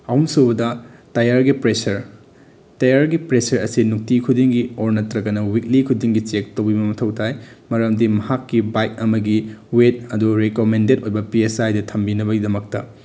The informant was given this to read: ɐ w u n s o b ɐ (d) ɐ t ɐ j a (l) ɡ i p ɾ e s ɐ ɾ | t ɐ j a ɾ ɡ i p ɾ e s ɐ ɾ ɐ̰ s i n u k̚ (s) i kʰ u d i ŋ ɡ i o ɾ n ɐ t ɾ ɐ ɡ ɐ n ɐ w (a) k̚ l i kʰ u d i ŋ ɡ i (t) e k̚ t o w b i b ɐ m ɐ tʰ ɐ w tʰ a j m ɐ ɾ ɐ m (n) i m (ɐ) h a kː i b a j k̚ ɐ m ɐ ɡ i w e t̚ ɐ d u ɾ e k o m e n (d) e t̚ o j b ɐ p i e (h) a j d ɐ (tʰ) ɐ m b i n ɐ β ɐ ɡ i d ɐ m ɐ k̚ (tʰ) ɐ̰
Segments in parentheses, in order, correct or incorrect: correct, incorrect, incorrect, incorrect, incorrect, incorrect, correct, correct, incorrect, correct, incorrect

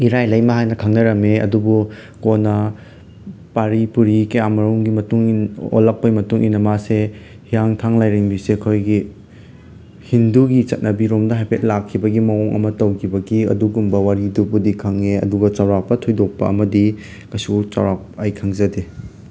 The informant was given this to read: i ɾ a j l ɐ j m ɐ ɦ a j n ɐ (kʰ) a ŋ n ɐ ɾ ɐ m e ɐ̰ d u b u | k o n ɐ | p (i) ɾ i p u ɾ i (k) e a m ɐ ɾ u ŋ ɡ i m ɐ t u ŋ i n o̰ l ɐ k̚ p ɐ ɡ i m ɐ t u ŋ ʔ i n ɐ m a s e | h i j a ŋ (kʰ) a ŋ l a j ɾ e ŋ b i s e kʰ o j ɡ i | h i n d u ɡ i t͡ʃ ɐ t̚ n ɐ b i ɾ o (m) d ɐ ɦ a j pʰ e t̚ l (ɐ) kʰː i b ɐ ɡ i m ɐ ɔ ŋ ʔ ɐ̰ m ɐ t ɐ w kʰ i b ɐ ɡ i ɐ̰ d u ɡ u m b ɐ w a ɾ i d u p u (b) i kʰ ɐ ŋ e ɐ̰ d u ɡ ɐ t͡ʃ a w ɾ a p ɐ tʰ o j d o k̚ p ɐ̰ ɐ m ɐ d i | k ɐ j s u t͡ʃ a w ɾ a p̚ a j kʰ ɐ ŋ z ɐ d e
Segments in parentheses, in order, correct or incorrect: correct, incorrect, correct, incorrect, correct, incorrect, incorrect

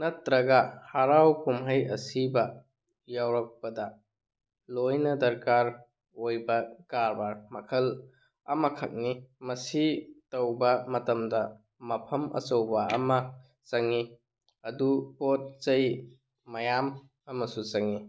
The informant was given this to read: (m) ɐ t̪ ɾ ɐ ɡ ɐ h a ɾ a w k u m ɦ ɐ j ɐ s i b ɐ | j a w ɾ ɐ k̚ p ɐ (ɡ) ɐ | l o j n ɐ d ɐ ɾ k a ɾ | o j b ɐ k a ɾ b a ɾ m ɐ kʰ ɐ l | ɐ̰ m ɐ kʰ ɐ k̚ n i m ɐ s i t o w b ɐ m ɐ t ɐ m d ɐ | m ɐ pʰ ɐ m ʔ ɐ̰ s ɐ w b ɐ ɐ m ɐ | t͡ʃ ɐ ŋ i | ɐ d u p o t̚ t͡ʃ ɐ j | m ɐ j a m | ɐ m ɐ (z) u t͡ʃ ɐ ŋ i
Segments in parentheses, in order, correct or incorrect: incorrect, incorrect, incorrect

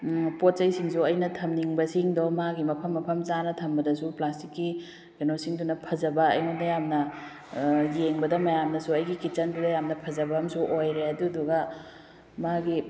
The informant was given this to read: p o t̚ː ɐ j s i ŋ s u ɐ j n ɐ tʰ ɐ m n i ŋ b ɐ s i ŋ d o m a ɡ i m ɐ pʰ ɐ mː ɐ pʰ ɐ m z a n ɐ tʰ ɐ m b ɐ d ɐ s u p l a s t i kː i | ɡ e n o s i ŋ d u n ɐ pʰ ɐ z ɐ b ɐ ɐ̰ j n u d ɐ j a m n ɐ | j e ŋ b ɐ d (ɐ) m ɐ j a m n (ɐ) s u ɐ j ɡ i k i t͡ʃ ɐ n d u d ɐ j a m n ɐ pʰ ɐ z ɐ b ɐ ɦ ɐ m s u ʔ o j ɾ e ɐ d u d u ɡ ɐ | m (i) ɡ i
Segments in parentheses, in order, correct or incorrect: correct, correct, incorrect

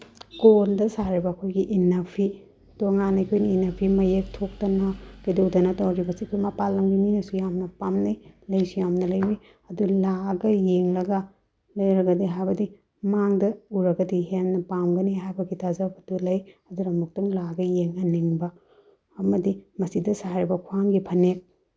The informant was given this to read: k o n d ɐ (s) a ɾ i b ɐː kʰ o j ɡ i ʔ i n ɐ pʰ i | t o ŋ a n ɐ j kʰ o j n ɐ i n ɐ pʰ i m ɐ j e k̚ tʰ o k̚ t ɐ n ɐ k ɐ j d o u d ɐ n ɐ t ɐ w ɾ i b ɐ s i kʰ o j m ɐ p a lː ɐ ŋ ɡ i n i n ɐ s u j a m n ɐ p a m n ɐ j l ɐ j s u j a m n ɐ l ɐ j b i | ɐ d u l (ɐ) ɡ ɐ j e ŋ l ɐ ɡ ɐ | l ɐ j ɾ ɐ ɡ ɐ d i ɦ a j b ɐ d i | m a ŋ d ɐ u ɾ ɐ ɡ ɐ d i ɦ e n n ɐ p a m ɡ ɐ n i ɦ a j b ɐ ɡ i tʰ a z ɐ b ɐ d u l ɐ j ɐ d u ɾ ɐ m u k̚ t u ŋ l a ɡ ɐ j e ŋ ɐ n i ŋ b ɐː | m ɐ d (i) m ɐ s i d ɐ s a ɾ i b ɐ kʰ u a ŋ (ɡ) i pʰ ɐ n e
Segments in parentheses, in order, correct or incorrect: correct, incorrect, correct, correct

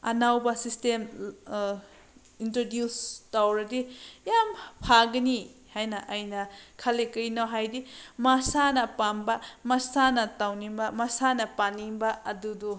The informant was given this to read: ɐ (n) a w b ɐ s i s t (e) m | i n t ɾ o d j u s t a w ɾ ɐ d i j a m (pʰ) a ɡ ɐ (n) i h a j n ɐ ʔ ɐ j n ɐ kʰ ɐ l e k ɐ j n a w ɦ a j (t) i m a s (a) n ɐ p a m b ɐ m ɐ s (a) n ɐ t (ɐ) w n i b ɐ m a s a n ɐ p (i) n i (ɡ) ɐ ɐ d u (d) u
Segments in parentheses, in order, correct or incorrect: correct, correct, correct, correct, incorrect, correct, correct, incorrect, incorrect, incorrect, correct

